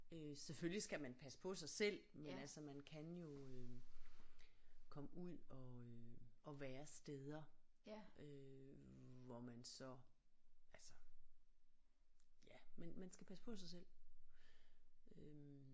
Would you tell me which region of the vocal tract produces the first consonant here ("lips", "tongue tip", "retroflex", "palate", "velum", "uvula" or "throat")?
tongue tip